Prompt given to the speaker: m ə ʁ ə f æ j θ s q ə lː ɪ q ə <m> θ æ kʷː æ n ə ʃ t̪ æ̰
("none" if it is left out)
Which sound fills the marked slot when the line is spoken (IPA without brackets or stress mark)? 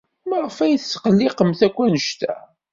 m